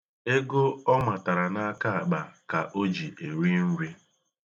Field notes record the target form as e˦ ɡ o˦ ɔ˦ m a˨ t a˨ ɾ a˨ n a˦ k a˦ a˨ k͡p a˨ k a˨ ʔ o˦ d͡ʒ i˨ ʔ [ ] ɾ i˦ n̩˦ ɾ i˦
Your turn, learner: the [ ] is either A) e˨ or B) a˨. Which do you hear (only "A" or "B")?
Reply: A